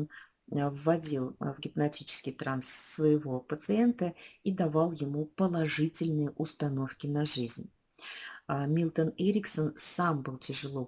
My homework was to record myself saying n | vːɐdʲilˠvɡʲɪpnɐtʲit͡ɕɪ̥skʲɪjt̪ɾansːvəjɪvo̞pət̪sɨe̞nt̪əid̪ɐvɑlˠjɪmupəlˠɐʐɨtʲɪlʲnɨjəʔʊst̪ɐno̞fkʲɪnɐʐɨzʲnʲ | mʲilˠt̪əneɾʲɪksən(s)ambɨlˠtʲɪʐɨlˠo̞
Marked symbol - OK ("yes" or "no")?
yes